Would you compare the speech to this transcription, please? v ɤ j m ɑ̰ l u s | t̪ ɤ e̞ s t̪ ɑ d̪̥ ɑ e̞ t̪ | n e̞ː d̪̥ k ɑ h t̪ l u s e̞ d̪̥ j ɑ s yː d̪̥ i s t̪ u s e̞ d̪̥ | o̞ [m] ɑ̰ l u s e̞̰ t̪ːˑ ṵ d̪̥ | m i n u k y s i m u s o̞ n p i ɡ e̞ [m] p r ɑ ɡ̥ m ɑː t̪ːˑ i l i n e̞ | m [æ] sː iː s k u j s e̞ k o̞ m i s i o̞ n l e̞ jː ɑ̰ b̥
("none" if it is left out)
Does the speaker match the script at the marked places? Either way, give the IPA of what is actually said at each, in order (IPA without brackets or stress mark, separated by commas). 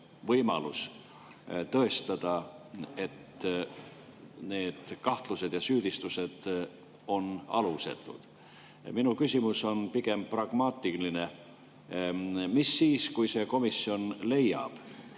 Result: n, m, i